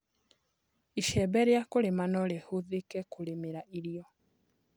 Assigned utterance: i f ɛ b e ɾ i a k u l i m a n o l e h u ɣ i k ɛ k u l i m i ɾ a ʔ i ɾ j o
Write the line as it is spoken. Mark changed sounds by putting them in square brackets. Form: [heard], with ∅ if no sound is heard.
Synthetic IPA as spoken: i [ʃ] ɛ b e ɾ [j] a k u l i m a n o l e h u [ð] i k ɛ k u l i m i ɾ a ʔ i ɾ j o